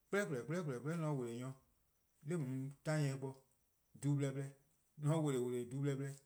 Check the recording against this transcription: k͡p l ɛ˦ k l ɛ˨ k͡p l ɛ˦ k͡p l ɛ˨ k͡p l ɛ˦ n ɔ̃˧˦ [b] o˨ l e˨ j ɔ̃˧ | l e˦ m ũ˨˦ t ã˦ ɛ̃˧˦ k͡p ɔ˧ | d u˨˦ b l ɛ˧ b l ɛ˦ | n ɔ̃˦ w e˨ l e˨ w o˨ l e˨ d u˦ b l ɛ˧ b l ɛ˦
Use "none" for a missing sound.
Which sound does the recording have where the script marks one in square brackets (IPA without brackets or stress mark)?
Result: w